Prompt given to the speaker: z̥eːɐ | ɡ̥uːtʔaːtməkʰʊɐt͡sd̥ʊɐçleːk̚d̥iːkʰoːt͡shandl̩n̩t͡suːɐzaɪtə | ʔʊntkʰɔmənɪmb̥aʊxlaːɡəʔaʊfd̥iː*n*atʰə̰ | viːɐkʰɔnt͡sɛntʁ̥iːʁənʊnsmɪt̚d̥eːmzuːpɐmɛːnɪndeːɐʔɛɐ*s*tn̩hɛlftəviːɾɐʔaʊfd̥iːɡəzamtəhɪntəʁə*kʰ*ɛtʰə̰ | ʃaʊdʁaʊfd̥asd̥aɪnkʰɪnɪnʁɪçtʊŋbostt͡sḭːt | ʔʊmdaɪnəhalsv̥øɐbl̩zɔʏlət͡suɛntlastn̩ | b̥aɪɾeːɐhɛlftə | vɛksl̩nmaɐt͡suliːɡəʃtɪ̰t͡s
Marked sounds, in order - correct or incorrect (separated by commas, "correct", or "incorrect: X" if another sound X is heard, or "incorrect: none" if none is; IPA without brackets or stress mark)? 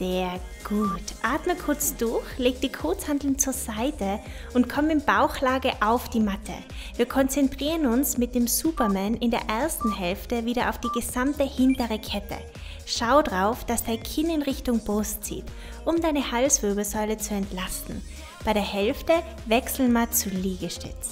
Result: incorrect: m, correct, correct